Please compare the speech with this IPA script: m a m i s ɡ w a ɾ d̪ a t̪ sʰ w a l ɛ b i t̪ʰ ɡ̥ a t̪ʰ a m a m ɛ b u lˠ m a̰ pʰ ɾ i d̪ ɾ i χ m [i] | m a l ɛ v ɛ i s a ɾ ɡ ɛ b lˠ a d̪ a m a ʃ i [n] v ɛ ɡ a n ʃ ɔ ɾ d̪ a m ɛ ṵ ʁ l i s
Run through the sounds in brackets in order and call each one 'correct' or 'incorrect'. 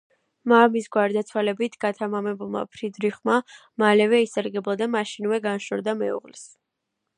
incorrect: a, correct

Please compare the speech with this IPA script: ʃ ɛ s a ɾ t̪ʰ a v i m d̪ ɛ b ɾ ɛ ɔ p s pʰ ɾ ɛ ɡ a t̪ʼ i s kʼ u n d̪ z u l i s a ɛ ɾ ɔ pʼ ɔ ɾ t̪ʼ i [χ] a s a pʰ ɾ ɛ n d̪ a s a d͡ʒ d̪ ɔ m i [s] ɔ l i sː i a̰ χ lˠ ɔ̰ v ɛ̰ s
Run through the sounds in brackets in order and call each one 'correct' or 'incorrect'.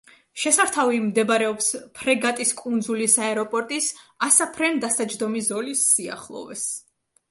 incorrect: s, incorrect: z

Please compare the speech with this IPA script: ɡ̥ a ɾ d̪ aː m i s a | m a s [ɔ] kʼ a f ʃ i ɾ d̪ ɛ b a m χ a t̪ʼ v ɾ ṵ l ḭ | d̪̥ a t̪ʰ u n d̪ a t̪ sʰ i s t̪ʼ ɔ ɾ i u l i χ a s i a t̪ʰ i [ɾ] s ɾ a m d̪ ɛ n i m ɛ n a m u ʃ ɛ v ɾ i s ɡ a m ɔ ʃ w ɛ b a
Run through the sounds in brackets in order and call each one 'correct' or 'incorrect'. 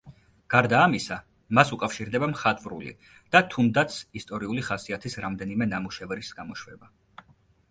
incorrect: u, incorrect: none

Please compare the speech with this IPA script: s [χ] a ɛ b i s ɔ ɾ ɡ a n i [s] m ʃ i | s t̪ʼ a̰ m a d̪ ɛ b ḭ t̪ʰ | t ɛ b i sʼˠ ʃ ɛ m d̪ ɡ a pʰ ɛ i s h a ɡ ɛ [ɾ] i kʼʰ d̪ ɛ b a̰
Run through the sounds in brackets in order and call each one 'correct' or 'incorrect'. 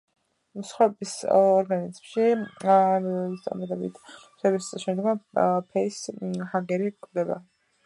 correct, incorrect: z, correct

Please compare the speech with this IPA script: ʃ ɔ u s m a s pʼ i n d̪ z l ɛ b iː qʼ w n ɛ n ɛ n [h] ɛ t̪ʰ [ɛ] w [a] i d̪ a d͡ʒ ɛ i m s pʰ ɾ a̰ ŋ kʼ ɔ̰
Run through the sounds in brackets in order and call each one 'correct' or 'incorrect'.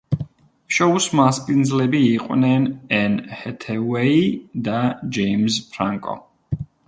correct, correct, incorrect: ɛ

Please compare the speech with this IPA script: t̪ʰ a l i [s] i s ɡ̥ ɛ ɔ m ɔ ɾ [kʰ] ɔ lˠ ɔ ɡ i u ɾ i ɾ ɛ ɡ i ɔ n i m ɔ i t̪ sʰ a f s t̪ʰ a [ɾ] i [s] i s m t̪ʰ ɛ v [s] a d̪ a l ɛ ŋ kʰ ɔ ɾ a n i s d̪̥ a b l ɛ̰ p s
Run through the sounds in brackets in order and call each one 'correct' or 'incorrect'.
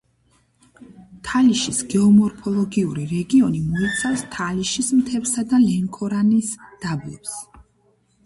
incorrect: ʃ, incorrect: pʰ, incorrect: l, incorrect: ʃ, correct

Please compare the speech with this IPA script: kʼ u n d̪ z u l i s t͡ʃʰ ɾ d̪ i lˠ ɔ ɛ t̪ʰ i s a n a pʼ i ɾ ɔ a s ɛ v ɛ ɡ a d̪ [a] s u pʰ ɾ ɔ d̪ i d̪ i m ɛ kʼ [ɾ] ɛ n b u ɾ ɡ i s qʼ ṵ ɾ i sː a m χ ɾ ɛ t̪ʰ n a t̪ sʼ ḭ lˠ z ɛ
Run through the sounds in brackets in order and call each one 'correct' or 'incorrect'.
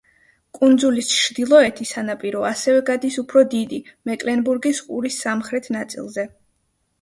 incorrect: i, incorrect: l

